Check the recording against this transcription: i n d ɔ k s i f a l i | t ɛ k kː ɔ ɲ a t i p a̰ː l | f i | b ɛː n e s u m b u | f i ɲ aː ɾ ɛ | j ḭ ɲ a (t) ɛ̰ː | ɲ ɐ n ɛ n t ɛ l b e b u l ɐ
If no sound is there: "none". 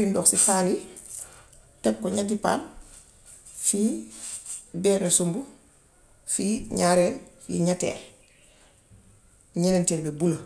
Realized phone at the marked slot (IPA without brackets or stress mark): t